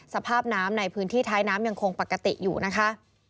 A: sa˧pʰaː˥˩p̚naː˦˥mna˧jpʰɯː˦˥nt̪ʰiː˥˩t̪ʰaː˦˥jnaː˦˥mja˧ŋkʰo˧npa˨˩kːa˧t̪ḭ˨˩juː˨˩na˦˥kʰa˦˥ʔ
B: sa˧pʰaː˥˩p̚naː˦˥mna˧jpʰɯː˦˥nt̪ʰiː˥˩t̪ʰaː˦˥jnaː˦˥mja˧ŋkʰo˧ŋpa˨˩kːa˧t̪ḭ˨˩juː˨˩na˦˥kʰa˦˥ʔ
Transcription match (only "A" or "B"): B